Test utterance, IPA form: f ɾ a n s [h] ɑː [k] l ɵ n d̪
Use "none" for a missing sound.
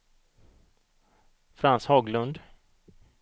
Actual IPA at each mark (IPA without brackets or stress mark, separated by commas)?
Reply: h, ɡ